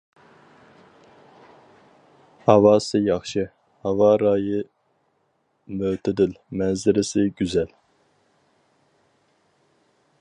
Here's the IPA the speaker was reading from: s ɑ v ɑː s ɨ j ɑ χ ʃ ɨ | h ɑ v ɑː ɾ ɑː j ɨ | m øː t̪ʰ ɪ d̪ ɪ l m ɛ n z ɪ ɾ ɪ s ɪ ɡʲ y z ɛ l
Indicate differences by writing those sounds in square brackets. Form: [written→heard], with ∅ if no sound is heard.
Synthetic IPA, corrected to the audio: [s→h] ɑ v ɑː s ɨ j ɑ χ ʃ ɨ | h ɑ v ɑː ɾ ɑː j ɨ | m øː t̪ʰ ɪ d̪ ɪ l m ɛ n z ɪ ɾ ɪ s ɪ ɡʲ y z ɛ l